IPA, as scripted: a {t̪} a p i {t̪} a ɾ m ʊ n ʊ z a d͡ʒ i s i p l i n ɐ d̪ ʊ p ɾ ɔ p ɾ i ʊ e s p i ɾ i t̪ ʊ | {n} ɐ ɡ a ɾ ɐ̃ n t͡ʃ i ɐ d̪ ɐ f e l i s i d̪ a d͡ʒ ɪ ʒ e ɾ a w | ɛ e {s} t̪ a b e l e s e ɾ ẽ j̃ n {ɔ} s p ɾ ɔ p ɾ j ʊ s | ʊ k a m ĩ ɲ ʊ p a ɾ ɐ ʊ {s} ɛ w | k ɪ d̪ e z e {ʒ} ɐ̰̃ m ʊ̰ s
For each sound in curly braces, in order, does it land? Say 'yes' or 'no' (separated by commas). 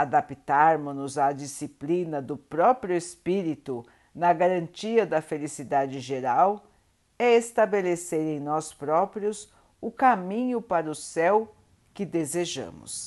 no, yes, yes, yes, yes, yes, yes